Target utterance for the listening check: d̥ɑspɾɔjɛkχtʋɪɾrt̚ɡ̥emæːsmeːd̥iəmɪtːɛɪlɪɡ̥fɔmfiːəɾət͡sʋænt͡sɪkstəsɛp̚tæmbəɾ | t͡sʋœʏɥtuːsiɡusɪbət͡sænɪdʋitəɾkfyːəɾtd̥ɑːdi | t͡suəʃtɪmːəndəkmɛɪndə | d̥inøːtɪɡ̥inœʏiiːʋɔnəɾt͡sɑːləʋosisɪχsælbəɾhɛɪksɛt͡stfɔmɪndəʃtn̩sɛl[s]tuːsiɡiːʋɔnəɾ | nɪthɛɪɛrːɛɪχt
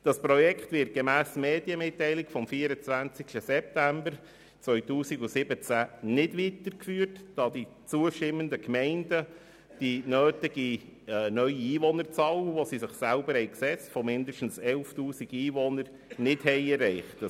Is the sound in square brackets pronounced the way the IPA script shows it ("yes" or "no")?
no